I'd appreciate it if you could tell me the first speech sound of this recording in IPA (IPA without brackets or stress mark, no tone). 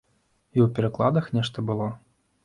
i